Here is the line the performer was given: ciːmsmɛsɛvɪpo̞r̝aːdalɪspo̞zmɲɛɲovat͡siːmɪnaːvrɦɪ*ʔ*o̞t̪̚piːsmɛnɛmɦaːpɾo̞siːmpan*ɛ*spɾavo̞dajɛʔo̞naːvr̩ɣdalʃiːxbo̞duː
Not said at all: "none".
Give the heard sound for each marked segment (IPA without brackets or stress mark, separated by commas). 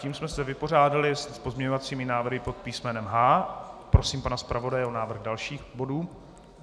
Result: p, a